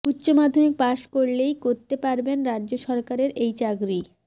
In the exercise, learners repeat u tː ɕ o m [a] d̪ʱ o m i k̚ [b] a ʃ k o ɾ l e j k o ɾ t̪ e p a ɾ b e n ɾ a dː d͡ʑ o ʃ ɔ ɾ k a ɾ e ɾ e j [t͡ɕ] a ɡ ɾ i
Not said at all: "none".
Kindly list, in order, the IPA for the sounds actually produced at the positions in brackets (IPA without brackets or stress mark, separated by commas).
a, p, t͡ɕ